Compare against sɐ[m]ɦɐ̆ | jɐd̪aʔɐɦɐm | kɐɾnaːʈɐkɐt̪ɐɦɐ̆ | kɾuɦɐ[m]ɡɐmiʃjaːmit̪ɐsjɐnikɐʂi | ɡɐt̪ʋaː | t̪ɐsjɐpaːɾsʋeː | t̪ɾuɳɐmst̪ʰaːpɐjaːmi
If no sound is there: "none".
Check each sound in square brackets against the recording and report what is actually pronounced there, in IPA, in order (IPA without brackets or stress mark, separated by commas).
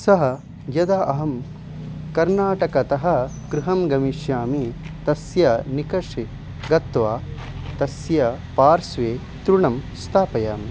none, m